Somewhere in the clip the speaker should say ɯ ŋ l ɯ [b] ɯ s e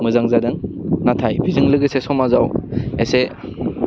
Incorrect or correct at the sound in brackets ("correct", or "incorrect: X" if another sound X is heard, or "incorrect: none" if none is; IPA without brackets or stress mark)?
incorrect: ɡ